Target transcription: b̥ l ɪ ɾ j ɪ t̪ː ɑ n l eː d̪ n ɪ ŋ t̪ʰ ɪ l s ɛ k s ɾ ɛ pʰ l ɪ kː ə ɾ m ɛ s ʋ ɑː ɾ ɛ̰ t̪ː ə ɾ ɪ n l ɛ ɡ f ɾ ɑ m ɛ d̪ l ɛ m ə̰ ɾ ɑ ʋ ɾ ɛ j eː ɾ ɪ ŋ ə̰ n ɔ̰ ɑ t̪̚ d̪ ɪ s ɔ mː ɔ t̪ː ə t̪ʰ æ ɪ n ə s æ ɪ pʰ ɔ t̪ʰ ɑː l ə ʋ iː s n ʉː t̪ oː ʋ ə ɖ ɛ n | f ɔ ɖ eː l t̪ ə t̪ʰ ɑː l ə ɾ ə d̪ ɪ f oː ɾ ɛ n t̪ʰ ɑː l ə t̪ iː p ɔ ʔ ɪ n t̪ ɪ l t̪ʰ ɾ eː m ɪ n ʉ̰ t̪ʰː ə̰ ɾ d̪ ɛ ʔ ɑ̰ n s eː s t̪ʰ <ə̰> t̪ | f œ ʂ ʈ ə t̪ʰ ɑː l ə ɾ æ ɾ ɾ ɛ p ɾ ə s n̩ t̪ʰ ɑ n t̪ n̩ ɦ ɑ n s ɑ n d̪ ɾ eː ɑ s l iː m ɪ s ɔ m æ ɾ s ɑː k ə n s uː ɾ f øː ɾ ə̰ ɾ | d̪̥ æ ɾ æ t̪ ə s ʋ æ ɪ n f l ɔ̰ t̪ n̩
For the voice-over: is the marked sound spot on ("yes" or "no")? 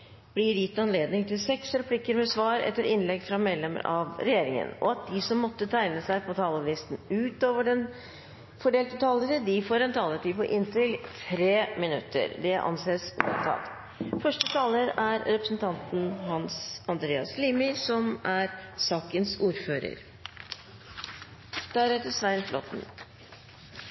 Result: no